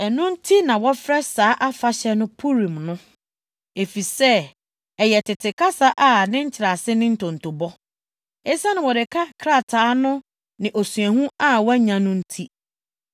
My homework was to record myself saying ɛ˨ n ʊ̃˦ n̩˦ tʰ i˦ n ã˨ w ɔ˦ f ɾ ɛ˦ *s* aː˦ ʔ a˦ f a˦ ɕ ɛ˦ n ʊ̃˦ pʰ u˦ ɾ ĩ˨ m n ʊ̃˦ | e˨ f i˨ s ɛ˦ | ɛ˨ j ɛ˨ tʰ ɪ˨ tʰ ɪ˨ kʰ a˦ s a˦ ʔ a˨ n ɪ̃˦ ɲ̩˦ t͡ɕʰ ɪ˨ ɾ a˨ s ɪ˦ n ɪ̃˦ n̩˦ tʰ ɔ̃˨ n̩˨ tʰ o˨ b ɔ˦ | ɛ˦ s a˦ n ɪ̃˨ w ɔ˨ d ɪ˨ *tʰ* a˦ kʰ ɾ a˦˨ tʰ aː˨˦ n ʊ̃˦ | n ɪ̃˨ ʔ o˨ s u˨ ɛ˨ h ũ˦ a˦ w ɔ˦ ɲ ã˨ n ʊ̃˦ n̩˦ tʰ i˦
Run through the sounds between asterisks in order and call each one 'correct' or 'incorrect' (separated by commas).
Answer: correct, incorrect